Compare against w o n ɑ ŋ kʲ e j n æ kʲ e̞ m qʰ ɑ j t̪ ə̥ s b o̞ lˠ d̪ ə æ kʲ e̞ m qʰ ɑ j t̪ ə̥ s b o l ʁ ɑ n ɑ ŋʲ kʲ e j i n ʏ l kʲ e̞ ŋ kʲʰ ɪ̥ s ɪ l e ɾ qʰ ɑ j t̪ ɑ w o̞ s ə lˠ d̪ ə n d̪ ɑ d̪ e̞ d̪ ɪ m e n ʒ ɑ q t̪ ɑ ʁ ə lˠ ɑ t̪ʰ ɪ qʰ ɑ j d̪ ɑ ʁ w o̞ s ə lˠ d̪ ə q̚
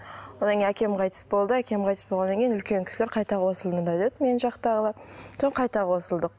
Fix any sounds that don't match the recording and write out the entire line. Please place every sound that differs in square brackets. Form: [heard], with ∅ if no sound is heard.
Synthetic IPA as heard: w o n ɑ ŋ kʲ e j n æ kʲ e̞ m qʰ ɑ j t̪ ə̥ s b o̞ lˠ d̪ ə æ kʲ e̞ m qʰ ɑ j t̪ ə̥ s b o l ʁ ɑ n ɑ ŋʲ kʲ e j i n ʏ l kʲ e̞ ŋ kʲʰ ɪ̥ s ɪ l e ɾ qʰ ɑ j t̪ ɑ w o̞ s ə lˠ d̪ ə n d̪ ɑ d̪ e̞ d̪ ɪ m e n ʒ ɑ q t̪ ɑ ʁ ə lˠ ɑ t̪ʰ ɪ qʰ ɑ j [t̪] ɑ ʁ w o̞ s ə lˠ d̪ ə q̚